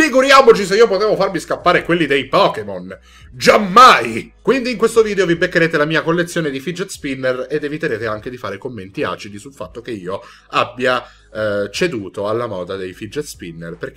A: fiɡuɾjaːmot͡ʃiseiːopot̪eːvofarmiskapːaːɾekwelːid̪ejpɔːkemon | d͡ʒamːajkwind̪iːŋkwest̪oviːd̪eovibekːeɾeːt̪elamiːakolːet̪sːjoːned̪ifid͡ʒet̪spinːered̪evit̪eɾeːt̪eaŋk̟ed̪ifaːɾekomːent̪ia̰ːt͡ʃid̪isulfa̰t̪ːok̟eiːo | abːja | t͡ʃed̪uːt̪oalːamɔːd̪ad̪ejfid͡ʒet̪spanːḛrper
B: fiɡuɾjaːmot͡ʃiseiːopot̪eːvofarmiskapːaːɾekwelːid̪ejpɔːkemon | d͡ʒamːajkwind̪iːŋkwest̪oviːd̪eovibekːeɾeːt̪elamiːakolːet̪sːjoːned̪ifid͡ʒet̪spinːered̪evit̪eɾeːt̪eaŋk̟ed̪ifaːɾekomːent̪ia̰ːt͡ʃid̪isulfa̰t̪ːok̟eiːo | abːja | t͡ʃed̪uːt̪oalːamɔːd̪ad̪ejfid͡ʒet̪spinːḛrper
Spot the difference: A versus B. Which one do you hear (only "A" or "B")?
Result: B